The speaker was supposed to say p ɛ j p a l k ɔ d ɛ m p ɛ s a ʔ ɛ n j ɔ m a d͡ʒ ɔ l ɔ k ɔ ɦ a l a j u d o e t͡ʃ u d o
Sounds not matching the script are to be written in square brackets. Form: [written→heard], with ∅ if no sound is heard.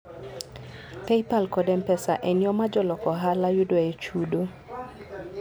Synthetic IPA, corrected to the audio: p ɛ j p a l k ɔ d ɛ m p ɛ s a ʔ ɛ n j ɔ m a d͡ʒ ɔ l ɔ k ɔ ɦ a l a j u d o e t͡ʃ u d o